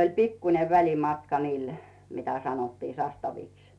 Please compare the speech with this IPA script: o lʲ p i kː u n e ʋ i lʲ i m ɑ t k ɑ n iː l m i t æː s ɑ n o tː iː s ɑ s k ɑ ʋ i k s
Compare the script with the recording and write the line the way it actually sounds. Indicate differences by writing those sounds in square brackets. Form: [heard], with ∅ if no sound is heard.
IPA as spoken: o lʲ p i kː u n e ʋ [æ] lʲ i m ɑ t k ɑ n iː l m i t [æ] s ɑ n o tː iː s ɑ s [t] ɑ ʋ i k s